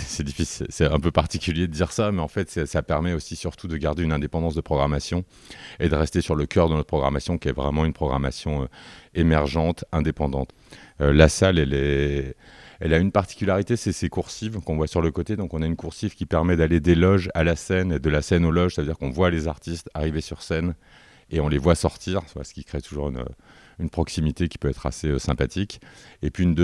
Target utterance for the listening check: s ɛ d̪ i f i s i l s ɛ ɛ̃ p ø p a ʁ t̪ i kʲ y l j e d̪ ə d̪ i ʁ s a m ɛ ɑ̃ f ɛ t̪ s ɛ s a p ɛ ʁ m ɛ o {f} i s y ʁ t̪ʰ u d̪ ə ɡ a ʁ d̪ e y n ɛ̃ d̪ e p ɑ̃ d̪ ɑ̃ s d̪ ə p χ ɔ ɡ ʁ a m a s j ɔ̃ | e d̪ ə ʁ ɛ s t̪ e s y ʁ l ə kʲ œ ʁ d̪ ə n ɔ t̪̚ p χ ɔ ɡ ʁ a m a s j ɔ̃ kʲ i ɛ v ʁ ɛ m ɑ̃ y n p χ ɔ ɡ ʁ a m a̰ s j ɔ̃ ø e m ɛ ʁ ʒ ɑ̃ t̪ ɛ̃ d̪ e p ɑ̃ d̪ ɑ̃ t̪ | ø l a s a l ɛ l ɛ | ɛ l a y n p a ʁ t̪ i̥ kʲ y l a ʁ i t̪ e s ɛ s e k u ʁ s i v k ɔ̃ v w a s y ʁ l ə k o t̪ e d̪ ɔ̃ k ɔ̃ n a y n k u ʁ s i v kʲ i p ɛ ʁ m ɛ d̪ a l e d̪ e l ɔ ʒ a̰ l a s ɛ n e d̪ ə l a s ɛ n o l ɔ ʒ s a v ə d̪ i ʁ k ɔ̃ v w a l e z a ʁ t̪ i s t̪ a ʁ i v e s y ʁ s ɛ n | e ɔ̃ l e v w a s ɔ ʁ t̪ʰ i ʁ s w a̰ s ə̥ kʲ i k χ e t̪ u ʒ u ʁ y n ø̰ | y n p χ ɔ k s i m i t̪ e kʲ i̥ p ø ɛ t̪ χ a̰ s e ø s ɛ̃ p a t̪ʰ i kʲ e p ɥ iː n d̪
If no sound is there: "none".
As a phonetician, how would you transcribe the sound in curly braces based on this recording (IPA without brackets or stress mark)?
s